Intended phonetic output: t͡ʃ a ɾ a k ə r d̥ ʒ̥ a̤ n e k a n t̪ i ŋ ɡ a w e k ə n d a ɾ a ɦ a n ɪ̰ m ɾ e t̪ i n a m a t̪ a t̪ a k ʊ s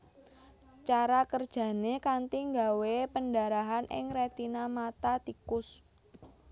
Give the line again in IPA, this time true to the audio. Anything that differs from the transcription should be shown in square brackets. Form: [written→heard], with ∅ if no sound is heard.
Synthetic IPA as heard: t͡ʃ a ɾ a k ə r d̥ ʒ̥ a̤ n e k a n t̪ i ŋ ɡ a w e [k→p] ə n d a ɾ a ɦ a n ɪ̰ [m→ŋ] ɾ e t̪ i n a m a t̪ a t̪ [a→i] k ʊ s